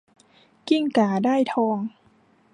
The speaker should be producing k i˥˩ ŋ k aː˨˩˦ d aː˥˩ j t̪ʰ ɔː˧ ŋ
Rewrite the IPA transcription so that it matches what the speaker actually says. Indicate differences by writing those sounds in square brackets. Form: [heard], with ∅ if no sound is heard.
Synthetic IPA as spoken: k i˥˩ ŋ k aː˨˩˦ d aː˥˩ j t̪ʰ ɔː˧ ŋ